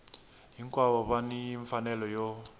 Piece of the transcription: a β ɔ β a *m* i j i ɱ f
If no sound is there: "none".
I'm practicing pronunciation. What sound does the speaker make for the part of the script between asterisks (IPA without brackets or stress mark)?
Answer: n